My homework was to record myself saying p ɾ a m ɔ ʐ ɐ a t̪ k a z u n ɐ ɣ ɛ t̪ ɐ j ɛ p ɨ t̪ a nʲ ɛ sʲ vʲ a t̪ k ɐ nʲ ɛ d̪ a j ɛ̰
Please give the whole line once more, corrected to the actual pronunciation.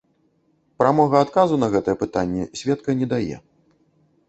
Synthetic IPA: p ɾ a m ɔ ɣ ɐ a t̪ k a z u n ɐ ɣ ɛ t̪ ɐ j ɛ p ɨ t̪ a nʲː ɛ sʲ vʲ ɛ t̪ k ɐ nʲ ɛ d̪ a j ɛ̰